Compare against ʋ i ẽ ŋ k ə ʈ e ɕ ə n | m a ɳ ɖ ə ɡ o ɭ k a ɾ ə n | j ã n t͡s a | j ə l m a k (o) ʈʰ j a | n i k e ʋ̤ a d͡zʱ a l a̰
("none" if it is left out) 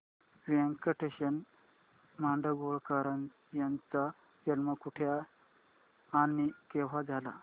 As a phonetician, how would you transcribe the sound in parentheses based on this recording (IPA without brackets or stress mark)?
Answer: u